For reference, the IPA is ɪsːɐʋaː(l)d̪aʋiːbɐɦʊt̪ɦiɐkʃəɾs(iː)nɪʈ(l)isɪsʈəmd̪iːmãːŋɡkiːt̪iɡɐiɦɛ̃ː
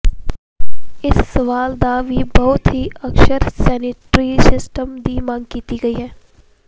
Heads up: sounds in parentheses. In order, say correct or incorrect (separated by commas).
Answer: correct, incorrect, incorrect